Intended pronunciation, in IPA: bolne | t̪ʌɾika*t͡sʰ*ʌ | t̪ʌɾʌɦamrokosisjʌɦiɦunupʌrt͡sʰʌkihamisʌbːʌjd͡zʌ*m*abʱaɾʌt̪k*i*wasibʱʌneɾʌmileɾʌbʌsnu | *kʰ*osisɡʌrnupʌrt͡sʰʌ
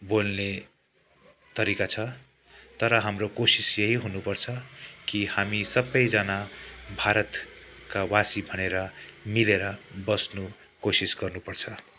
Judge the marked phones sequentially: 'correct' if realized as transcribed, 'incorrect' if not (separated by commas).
correct, incorrect, incorrect, incorrect